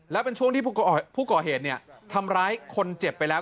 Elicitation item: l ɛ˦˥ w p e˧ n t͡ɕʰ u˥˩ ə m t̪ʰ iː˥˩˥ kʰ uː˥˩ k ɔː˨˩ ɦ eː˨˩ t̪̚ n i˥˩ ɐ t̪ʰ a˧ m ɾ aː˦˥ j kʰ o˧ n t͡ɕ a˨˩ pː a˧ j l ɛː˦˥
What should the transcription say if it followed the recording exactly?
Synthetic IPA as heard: l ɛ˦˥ w p e˧ n t͡ɕʰ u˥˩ ə ŋ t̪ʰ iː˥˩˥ pʰ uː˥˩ k ɔː˨˩ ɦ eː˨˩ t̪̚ n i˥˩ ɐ t̪ʰ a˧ m ɾ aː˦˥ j kʰ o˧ n t͡ɕ e˨˩ pː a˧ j l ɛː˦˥

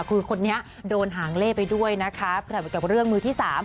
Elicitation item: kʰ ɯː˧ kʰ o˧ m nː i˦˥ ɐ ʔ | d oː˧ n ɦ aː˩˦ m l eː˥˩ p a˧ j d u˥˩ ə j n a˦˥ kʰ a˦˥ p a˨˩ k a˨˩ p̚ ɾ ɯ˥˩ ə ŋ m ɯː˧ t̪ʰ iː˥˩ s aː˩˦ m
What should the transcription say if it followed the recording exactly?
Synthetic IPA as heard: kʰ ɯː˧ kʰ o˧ nː i˦˥ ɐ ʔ | d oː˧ n ɦ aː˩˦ ŋ l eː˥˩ p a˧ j d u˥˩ ə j n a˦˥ kʰ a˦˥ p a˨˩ k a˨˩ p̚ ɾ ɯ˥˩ ə ŋ m ɯː˧ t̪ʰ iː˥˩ s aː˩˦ m

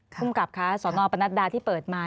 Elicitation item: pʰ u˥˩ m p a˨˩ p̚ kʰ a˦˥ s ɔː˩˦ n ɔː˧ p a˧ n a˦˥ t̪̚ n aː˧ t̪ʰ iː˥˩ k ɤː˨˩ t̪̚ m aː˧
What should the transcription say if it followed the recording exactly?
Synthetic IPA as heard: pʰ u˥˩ m k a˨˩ p̚ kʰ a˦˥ s ɔː˩˦ n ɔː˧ p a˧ n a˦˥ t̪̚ d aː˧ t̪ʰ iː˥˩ p ɤː˨˩ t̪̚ m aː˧

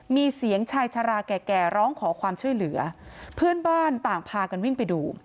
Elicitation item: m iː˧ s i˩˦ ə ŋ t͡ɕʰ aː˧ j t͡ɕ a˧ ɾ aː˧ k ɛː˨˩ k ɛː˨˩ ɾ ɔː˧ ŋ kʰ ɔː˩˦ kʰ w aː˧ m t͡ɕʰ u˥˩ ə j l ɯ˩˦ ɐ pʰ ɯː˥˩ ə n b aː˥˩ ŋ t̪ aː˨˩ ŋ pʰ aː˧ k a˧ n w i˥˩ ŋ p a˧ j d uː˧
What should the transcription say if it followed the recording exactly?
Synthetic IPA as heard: m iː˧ s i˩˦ ə ŋ t͡ɕʰ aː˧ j t͡ɕʰ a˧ ɾ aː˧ k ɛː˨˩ k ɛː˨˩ ɾ ɔː˦˥ ŋ kʰ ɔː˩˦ kʰ w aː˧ m t͡ɕʰ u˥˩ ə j l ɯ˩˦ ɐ pʰ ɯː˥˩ ə n b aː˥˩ n t̪ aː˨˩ ŋ pʰ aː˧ k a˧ n w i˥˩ ŋ p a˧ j d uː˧

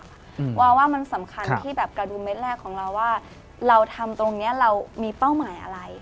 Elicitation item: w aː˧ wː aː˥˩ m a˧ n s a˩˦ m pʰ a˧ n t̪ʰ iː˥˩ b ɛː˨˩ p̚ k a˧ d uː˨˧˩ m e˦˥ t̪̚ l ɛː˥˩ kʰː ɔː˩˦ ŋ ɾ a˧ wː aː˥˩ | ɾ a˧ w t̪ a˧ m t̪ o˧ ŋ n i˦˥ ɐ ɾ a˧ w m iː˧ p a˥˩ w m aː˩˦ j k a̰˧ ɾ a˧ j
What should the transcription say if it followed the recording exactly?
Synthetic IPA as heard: w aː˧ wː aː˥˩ m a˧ n s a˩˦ m kʰ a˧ n t̪ʰ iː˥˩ b ɛː˨˩ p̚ k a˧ d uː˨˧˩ m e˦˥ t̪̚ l ɛː˥˩ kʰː ɔː˩˦ ŋ ɾ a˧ wː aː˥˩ | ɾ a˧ w t̪ʰ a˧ m t̪ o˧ ŋ n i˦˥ ɐ ɾ a˧ w m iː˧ p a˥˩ w m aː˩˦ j ʔ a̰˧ ɾ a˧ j

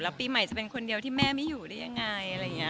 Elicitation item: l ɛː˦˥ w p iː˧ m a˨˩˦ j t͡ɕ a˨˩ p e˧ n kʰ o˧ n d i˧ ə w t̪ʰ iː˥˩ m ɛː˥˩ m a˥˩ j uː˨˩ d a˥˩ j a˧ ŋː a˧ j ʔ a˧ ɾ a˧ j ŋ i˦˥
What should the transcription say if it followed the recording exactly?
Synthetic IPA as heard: l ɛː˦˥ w p iː˧ m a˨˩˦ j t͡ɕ a˨˩ p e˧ n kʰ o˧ n d i˧ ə w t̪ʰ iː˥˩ m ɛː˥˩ m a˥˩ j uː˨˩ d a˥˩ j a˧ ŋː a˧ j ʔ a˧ ɾ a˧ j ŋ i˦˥

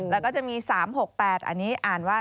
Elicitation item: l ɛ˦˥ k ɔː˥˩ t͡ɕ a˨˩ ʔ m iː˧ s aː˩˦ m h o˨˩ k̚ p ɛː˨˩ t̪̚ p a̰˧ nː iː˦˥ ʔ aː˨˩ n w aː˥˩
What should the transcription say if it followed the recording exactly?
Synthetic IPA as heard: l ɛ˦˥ k ɔː˥˩ t͡ɕ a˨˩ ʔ m iː˧ s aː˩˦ m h o˨˩ k̚ p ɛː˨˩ t̪̚ ʔ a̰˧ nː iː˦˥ ʔ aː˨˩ n w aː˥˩

